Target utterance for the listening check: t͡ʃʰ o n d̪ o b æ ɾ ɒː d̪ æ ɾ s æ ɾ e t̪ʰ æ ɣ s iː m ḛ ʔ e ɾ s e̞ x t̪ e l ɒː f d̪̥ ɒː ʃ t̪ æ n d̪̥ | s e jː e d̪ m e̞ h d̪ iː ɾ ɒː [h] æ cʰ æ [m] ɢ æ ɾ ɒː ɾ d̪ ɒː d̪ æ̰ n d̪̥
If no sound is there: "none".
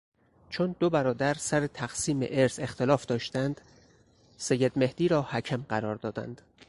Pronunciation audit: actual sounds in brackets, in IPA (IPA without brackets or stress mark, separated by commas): h, m